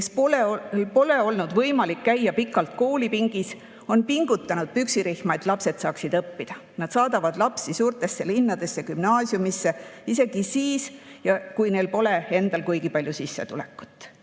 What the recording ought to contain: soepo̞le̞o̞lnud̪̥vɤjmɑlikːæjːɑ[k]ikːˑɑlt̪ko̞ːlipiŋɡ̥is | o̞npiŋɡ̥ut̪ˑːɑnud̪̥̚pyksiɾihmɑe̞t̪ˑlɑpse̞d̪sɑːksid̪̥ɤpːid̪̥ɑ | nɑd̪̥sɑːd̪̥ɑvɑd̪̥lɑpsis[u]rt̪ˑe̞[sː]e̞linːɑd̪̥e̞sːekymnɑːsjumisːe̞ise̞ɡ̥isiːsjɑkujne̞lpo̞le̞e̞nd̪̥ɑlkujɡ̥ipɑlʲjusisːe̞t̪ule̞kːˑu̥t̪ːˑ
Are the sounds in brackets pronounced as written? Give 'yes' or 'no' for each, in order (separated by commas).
no, no, yes